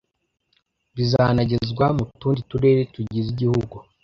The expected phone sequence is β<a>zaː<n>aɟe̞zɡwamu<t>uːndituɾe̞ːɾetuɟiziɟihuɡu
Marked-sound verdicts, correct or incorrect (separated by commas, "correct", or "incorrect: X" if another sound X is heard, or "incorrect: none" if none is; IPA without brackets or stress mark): incorrect: i, correct, correct